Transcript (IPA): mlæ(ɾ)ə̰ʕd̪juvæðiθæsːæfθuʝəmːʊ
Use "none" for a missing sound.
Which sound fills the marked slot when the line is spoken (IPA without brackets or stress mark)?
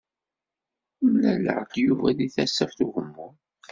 l